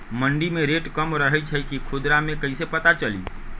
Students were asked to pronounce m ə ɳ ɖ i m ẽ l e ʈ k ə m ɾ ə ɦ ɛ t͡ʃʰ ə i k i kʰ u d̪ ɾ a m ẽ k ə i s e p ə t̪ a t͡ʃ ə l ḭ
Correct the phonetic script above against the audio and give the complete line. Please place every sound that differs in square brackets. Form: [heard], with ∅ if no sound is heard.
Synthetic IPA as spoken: m ə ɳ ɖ i m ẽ [ɾ] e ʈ k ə m ɾ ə ɦ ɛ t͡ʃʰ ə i k i kʰ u d̪ ɾ a m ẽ k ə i s e p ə t̪ a t͡ʃ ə l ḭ